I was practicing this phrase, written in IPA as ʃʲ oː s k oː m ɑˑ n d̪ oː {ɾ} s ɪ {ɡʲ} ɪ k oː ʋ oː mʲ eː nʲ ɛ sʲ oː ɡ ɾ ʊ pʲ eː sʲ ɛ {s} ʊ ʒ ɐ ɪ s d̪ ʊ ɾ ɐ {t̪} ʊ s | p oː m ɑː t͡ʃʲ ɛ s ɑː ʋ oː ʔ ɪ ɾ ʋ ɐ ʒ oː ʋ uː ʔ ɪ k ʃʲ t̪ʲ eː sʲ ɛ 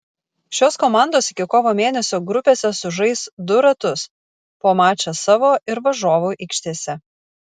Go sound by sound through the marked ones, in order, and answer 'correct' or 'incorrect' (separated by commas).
incorrect, incorrect, correct, correct